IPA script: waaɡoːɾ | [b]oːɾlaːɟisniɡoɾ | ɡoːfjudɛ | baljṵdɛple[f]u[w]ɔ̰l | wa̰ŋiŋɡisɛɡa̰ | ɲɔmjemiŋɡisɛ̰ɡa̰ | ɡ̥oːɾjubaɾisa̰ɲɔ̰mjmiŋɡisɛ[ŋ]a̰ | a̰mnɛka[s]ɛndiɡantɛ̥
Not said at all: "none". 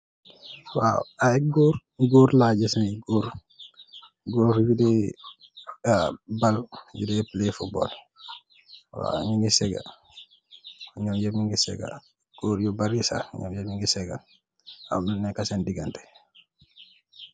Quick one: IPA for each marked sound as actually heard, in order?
ɡ, f, b, ɡ, s

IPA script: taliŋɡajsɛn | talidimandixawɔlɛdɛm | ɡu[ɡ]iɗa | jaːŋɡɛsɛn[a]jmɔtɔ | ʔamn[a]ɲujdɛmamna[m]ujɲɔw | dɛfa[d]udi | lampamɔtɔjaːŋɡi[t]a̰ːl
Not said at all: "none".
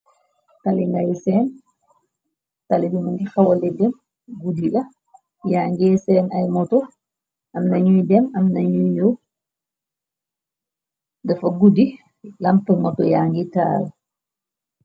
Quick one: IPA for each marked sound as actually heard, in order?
d, a, a, ɲ, ɡ, t

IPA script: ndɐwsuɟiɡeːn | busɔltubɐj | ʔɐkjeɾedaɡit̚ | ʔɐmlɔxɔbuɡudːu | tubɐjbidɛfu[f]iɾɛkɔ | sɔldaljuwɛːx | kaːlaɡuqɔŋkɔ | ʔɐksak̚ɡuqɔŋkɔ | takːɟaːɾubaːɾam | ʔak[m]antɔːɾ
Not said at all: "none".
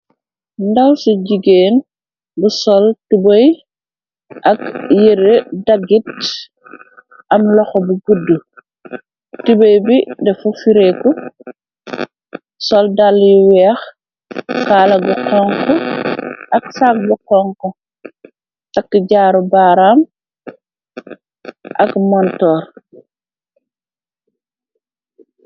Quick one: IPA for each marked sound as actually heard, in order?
f, m

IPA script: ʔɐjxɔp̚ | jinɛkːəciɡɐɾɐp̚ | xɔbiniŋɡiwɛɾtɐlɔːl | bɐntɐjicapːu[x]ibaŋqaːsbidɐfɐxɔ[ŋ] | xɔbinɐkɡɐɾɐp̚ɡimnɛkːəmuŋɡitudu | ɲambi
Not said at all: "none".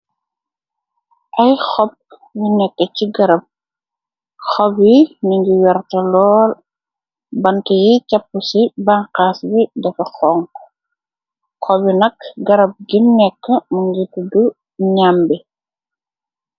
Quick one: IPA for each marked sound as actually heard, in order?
s, ŋ

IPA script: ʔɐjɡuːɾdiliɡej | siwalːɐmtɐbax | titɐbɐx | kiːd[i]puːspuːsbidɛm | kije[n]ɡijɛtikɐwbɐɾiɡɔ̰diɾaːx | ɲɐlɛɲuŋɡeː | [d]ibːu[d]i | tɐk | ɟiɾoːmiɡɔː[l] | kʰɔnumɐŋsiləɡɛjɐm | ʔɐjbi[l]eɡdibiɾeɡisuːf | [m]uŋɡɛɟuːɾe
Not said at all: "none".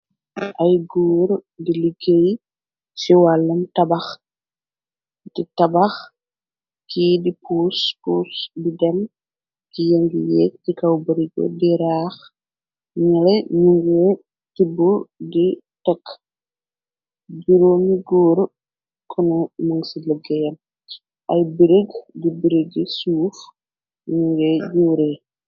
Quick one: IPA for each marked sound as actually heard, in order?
i, ŋ, t, d, ɾ, ɾ, ɲ

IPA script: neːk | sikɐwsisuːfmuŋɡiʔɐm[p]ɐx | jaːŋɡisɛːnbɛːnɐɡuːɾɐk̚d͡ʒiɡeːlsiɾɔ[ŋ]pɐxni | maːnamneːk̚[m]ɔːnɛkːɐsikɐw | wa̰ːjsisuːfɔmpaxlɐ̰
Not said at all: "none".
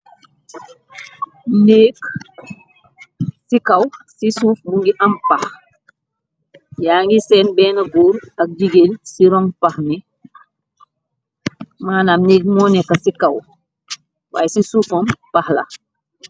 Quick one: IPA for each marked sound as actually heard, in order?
p, ŋ, m

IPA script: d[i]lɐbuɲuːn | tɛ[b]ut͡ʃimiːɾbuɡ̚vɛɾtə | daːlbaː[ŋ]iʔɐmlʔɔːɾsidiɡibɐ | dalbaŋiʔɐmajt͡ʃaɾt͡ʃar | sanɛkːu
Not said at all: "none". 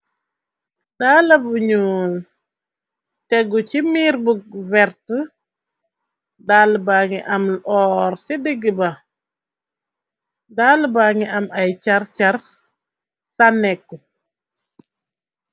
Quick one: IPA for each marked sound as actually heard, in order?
a, ɡ, ŋ

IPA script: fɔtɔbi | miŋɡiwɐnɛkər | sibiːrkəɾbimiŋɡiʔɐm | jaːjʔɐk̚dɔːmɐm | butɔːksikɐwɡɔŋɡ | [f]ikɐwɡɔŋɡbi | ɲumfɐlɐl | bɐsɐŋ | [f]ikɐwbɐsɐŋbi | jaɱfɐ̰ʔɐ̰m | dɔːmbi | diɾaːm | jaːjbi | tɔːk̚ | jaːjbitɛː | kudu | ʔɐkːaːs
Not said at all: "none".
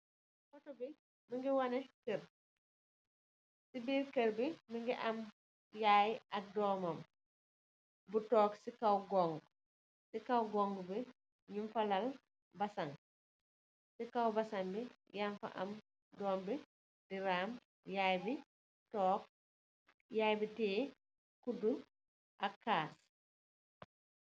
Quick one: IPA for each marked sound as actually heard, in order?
s, s

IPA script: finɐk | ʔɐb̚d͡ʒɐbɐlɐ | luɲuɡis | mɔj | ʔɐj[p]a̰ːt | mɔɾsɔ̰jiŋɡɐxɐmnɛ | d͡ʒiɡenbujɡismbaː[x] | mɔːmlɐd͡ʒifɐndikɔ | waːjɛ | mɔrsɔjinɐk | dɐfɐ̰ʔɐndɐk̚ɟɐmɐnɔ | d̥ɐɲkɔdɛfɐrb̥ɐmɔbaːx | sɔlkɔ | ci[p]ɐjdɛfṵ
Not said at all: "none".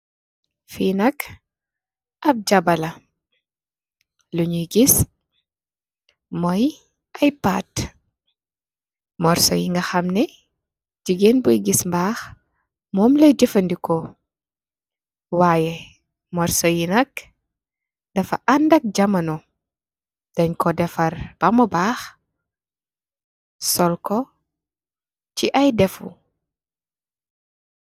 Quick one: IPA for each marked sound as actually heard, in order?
p, x, ʔ

